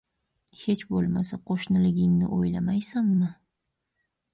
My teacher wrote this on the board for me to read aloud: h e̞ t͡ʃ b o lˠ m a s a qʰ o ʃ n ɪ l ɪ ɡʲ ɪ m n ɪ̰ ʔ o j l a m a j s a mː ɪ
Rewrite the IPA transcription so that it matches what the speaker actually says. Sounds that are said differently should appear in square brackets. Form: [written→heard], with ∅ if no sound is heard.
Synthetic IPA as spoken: h e̞ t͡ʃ b o lˠ m a s a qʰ o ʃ n ɪ l ɪ ɡʲ ɪ [m→ŋ] n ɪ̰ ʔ o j l a m a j s a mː ɪ

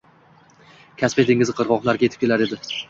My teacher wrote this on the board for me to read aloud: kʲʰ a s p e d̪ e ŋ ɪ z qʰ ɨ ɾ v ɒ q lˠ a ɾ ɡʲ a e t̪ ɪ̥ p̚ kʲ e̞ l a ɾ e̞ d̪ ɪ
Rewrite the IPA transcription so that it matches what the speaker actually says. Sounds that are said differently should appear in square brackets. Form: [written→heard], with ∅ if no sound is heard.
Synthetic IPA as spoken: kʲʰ a s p e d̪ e ŋ ɪ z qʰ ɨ ɾ [v→ʁ] ɒ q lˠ a ɾ ɡʲ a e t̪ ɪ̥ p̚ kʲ e̞ l a ɾ e̞ d̪ ɪ

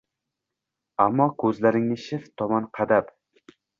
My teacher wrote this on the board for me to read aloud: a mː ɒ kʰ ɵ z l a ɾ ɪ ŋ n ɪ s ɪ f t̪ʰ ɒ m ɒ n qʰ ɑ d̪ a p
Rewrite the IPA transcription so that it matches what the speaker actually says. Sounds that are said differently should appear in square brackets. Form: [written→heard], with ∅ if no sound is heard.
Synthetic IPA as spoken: a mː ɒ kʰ ɵ z l a ɾ ɪ ŋ n ɪ [s→ʃ] ɪ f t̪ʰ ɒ m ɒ n qʰ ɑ d̪ a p

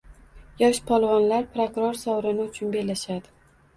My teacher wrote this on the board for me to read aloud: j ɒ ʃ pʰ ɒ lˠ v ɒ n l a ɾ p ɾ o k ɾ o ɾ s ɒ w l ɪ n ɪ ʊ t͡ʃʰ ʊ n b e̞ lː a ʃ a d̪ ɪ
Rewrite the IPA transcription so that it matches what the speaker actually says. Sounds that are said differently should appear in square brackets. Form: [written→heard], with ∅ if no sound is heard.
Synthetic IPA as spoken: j ɒ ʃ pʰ ɒ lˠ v ɒ n l a ɾ p ɾ o k ɾ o ɾ s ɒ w [l→ɾ] ɪ n ɪ ʊ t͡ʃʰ ʊ n b e̞ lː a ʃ a d̪ ɪ

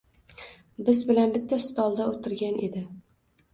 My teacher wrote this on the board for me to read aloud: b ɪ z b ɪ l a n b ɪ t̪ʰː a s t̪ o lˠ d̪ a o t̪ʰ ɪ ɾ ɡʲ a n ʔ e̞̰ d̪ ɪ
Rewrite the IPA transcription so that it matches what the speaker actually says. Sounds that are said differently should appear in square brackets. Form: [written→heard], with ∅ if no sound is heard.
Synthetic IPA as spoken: b ɪ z b ɪ l a n b ɪ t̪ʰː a s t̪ [o→ɒ] lˠ d̪ a o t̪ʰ ɪ ɾ ɡʲ a n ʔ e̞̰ d̪ ɪ

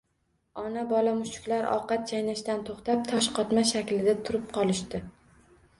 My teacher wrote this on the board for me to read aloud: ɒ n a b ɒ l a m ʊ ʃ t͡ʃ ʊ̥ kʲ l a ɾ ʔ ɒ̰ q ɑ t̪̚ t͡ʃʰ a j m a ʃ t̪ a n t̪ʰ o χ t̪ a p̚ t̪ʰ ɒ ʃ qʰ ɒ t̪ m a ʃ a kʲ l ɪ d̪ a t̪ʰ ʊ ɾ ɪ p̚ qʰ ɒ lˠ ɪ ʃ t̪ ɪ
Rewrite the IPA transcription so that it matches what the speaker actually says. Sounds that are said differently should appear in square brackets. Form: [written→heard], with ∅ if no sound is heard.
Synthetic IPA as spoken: ɒ n a b ɒ l a m ʊ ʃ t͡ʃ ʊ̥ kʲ l a ɾ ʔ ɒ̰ q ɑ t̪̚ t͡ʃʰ a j [m→n] a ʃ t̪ a n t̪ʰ o χ t̪ a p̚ t̪ʰ ɒ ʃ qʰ ɒ t̪ m a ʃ a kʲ l ɪ d̪ a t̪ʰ ʊ ɾ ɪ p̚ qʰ ɒ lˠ ɪ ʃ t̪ ɪ

